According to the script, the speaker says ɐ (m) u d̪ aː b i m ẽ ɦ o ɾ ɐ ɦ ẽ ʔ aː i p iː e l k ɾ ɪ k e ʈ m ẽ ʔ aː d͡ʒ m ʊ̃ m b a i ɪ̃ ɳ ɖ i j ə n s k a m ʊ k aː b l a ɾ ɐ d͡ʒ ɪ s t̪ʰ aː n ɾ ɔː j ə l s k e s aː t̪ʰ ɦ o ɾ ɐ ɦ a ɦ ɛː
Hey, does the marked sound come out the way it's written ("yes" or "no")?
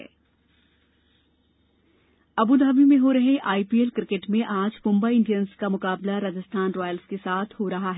no